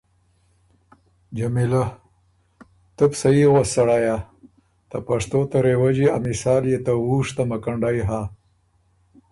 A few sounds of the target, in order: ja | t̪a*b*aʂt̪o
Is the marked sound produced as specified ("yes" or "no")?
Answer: no